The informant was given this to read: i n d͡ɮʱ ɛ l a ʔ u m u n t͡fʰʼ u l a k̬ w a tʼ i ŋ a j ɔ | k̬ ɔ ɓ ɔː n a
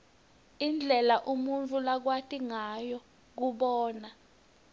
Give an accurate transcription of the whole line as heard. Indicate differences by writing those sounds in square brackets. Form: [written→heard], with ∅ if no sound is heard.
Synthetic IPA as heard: i n d͡ɮʱ ɛ l a ʔ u m u n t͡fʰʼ u l a k̬ w a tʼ i ŋ a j ɔ | k̬ [ɔ→u] ɓ ɔː n a